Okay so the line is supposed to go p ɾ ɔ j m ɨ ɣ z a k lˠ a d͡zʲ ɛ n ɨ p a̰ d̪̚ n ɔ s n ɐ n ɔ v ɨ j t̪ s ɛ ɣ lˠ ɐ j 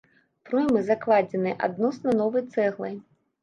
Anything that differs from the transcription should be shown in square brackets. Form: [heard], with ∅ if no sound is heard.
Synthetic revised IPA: p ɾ ɔ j m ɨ [∅] z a k lˠ a d͡zʲ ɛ n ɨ [ʔ] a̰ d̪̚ n ɔ s n ɐ n ɔ v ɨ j t̪ s ɛ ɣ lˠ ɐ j

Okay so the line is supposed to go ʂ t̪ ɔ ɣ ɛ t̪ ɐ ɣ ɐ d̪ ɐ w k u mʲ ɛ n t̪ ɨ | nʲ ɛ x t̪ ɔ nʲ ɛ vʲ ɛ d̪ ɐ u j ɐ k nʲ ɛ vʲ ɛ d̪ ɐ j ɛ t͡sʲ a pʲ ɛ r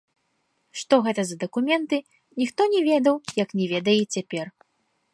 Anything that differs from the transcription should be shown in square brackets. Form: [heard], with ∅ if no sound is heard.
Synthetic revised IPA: ʂ t̪ ɔ ɣ ɛ t̪ ɐ [z] ɐ d̪ ɐ [∅] k u mʲ ɛ n t̪ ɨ | nʲ [i] x t̪ ɔ nʲ ɛ vʲ ɛ d̪ ɐ [w] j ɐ k nʲ ɛ vʲ ɛ d̪ ɐ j ɛ t͡sʲ a pʲ ɛ r

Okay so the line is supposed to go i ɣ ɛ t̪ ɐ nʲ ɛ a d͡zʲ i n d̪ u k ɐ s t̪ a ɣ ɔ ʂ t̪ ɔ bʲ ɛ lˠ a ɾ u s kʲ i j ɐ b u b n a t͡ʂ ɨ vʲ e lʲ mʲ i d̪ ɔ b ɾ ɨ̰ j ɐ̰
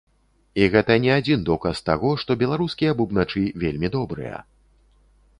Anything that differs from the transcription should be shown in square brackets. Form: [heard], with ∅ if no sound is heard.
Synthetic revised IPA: i ɣ ɛ t̪ ɐ nʲ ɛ a d͡zʲ i n d̪ [ɔ] k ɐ s t̪ a ɣ ɔ ʂ t̪ ɔ bʲ ɛ lˠ a ɾ u s kʲ i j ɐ b u b n a t͡ʂ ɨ vʲ e lʲ mʲ i d̪ ɔ b ɾ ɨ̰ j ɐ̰

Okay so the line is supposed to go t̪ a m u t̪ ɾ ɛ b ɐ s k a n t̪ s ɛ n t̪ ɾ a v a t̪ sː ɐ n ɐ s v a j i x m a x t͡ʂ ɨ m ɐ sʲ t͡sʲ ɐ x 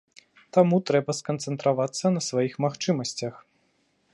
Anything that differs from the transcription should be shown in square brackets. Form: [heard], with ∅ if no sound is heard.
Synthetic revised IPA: t̪ a m u t̪ ɾ ɛ b ɐ s k [ɐ] n t̪ s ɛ n t̪ ɾ a v a t̪ sː ɐ n ɐ s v a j i x m a x t͡ʂ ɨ m ɐ sʲ t͡sʲ ɐ x

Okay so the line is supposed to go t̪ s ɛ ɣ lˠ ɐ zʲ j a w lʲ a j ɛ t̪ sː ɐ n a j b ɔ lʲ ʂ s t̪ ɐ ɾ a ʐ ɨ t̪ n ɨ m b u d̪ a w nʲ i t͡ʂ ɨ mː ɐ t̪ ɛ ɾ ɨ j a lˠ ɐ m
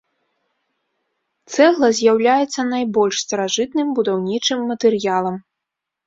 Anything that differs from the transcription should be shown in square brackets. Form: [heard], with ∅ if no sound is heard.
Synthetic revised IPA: t̪ s ɛ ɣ lˠ ɐ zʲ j a w lʲ a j ɛ t̪ sː ɐ n a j b ɔ lʲ ʂ s t̪ ɐ ɾ a ʐ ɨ t̪ n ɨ m b u d̪ a w nʲ i t͡ʂ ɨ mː ɐ t̪ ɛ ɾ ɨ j a lˠ ɐ m

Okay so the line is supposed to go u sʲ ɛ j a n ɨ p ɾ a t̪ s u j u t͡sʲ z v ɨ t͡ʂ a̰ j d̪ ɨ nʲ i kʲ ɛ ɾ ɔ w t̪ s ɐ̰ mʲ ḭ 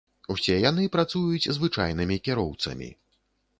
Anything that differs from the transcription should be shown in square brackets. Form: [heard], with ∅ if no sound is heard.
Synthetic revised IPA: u sʲ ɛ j a n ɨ p ɾ a t̪ s u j u t͡sʲ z v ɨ t͡ʂ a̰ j [n̪] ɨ [mʲ] i kʲ ɛ ɾ ɔ w t̪ s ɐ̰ mʲ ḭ

